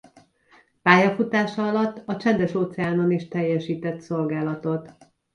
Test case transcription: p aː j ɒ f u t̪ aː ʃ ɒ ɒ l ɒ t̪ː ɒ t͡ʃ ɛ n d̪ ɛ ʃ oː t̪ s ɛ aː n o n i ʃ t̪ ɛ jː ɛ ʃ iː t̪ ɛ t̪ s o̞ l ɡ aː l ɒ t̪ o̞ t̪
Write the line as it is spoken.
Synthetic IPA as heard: p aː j ɒ f u t̪ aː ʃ ɒ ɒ l ɒ t̪ː ɒ t͡ʃ ɛ n d̪ ɛ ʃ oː t̪ s ɛ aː n o n i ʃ t̪ ɛ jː ɛ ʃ iː t̪ ɛ t̪ s o̞ l ɡ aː l ɒ t̪ o̞ t̪